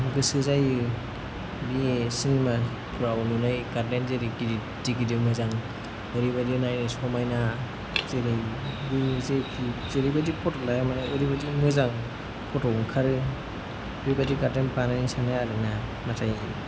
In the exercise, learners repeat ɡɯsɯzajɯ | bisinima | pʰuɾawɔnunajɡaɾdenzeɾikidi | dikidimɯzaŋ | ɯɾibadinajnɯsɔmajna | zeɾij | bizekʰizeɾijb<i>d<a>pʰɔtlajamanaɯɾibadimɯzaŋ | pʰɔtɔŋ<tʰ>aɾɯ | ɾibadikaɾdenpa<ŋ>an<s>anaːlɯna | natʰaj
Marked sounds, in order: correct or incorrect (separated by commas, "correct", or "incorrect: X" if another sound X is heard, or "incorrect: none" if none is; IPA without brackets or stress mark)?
incorrect: a, incorrect: i, incorrect: kʰ, incorrect: n, correct